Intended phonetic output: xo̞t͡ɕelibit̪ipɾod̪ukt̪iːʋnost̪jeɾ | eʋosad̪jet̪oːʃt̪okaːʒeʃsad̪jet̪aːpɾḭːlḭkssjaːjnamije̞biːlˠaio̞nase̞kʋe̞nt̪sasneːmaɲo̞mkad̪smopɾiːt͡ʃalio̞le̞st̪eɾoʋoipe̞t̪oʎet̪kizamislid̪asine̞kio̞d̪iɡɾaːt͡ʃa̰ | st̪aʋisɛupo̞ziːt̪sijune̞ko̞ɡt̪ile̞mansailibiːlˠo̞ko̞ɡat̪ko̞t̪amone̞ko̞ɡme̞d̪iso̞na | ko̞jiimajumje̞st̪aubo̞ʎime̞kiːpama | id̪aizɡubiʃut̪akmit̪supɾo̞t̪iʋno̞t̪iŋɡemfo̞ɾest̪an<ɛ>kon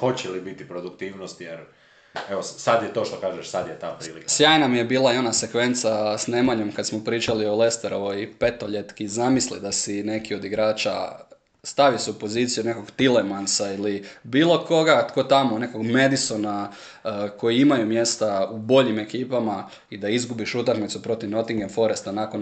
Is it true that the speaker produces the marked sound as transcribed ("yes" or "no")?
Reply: no